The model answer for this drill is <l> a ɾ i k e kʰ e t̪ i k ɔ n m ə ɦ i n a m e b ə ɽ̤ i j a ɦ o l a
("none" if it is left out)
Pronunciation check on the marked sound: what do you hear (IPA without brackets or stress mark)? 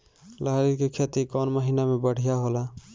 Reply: l